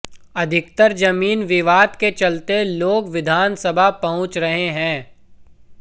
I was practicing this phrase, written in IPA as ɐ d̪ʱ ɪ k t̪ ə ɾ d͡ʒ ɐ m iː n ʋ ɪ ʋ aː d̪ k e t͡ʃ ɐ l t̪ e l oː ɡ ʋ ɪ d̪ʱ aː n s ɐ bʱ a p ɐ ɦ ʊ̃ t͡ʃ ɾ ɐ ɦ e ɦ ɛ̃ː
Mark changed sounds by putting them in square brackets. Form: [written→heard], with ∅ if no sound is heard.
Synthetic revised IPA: ɐ d̪ʱ ɪ k t̪ ə ɾ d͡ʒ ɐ m iː n ʋ ɪ ʋ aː d̪ k e t͡ʃ ɐ l t̪ e l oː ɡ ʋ ɪ d̪ʱ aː n s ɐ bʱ a p ɐ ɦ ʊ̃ t͡ʃ ɾ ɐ ɦ e ɦ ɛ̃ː